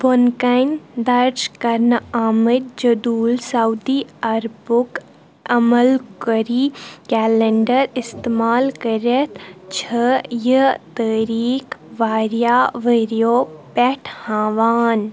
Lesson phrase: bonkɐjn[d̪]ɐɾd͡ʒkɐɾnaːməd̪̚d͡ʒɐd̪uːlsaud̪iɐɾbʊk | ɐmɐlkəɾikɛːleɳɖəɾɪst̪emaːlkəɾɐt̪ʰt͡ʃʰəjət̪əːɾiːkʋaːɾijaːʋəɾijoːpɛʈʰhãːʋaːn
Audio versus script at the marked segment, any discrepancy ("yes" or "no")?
no